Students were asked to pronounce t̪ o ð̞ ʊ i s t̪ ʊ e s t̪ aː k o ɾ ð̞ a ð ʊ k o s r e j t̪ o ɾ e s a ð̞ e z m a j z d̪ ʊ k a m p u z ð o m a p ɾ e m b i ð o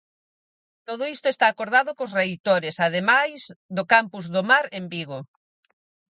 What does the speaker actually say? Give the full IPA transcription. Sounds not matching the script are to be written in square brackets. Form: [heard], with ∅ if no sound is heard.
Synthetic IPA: t̪ o ð̞ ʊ i s t̪ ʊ e s t̪ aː k o ɾ ð̞ a ð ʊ k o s r e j t̪ o ɾ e s a ð̞ e [∅] m a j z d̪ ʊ k a m p u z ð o m a [∅] ɾ e m b i [ɣ] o

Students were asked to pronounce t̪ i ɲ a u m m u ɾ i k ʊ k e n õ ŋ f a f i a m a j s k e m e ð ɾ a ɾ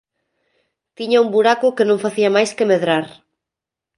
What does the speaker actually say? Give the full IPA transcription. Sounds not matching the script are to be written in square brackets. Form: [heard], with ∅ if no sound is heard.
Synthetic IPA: t̪ i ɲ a u m [b] u ɾ [a] k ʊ k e n õ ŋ f a [θ] i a m a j s k e m e ð ɾ a ɾ

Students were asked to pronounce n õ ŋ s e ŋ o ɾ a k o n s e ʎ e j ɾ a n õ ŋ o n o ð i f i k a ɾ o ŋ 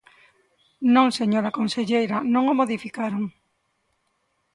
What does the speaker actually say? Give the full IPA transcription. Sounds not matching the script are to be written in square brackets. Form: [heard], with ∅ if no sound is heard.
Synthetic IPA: n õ ŋ s e [ɲ] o ɾ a k o n s e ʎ e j ɾ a n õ ŋ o [m] o ð i f i k a ɾ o ŋ

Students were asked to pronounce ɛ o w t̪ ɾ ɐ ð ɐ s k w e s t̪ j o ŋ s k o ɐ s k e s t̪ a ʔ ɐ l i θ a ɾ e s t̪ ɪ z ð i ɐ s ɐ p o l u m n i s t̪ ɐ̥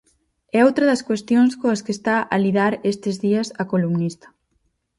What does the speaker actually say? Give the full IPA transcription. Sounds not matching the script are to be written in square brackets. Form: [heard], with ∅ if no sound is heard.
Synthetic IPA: ɛ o w t̪ ɾ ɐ ð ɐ s k w e s t̪ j o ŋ s k o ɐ s k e s t̪ a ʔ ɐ l i [ð] a ɾ e s t̪ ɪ z ð i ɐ s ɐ [k] o l u m n i s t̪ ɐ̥

